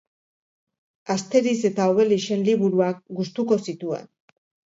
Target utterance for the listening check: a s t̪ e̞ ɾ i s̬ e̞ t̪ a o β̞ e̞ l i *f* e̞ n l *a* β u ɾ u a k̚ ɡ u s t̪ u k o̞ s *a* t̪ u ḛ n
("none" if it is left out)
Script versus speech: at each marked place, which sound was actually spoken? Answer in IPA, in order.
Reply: ʃ, i, i

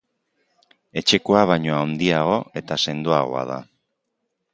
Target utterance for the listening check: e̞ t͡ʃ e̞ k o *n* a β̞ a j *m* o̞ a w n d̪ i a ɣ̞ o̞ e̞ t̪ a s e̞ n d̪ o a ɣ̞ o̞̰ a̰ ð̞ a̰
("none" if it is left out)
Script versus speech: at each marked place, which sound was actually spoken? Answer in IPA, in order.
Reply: none, ɲ

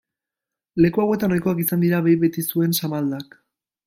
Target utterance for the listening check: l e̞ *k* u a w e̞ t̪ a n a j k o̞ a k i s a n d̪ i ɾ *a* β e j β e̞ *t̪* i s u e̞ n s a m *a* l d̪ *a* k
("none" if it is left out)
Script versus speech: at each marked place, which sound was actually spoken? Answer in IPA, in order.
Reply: k, a, t̪, a, a

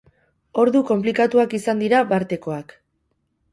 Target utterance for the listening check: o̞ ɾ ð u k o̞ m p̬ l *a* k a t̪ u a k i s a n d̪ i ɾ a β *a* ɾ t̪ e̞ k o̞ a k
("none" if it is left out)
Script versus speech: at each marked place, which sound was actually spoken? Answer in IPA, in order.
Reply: i, a

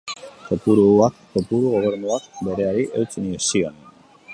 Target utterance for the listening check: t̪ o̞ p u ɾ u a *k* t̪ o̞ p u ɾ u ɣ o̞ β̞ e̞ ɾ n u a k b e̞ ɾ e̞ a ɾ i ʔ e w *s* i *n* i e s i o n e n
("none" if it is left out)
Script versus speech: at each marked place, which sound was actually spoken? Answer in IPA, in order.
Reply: k, t͡s, n

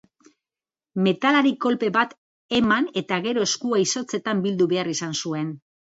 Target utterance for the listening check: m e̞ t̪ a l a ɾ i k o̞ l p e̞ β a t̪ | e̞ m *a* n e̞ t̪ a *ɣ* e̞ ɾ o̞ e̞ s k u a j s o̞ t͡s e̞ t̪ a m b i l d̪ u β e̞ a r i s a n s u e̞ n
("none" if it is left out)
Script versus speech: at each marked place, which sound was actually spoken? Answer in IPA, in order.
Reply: a, ɣ

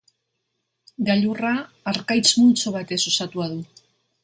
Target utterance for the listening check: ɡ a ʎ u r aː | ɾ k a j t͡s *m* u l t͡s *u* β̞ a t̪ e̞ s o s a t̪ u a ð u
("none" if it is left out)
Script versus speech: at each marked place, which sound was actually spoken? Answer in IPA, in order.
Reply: m, o

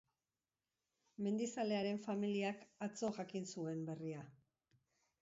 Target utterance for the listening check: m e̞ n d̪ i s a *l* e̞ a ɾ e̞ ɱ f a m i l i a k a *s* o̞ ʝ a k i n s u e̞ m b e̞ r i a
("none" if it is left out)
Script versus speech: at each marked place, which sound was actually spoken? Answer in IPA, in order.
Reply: l, t͡s

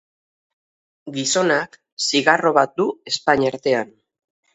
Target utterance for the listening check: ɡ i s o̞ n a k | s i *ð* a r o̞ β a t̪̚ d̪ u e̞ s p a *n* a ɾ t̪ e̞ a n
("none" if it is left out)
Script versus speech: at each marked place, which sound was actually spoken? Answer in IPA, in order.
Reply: ɣ, ɲ

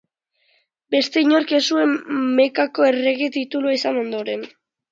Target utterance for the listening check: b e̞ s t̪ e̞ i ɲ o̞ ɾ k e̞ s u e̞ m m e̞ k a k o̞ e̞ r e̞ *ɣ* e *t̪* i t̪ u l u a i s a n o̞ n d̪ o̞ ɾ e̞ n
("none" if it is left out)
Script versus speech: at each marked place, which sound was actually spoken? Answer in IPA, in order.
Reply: ɣ, t̪

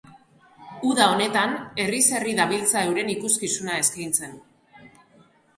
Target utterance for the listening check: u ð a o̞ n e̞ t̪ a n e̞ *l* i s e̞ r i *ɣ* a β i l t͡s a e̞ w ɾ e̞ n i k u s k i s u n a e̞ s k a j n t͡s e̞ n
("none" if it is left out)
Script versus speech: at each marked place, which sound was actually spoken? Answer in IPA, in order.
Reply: r, ð

